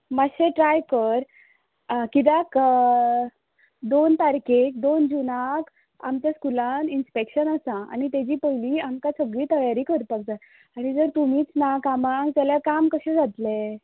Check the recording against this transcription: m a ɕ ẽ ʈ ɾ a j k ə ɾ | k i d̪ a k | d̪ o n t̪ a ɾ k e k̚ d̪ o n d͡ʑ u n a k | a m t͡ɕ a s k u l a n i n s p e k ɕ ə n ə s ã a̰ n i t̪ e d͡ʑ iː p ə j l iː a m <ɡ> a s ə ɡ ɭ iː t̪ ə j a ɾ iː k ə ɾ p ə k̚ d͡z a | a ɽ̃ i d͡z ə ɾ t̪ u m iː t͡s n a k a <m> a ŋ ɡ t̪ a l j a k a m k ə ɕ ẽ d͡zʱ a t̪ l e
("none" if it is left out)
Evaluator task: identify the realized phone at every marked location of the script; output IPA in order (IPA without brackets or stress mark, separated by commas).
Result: k, m